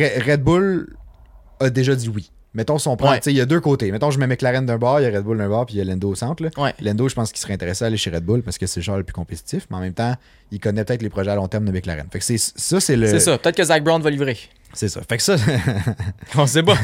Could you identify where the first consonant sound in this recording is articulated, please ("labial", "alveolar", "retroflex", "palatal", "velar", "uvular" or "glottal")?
uvular